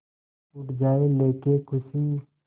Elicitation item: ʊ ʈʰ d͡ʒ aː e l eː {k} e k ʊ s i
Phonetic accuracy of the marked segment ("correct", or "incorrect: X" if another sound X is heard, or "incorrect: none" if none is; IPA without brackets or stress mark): correct